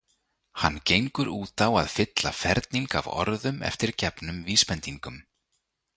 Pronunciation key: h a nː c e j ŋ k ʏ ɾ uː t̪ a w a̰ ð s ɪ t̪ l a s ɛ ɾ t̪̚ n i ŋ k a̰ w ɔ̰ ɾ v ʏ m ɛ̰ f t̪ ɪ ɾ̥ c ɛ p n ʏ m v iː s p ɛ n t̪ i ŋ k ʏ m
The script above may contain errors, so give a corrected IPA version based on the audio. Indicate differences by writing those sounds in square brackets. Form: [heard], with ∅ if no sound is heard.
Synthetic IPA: h a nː c e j ŋ k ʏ ɾ uː t̪ a w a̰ ð [f] ɪ t̪ l a [f] ɛ ɾ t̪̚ n i ŋ k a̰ [v] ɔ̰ ɾ [ð] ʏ m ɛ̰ f t̪ ɪ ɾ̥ c ɛ p n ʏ m v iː s p ɛ n t̪ i ŋ k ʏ m